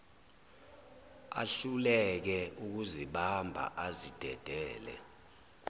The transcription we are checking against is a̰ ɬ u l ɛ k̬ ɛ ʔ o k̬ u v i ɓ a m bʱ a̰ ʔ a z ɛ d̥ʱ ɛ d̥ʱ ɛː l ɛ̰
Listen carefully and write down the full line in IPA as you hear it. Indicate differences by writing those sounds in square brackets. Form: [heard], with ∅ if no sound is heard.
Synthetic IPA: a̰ ɬ u l ɛ k̬ ɛ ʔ [u] k̬ u [z] i ɓ a m bʱ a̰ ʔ a z [i] d̥ʱ ɛ d̥ʱ ɛː l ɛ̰